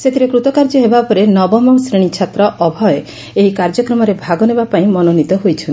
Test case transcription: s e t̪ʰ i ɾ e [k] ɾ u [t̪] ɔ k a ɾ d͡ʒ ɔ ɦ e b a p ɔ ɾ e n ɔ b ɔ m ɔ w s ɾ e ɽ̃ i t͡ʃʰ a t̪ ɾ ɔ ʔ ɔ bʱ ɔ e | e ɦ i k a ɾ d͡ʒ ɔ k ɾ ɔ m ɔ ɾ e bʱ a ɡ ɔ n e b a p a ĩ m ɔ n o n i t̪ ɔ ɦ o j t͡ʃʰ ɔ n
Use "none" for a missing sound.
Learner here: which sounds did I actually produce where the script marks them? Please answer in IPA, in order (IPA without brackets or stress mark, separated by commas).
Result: k, t̪